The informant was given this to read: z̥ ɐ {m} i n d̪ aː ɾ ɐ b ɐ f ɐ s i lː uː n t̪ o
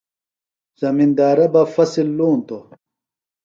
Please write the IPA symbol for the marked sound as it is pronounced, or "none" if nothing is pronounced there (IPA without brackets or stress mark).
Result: m